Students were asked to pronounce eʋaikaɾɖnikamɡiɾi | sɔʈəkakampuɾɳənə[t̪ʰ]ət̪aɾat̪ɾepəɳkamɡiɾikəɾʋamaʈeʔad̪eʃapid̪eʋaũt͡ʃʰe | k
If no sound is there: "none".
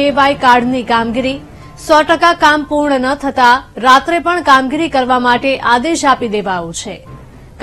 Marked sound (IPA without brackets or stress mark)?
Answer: t̪ʰ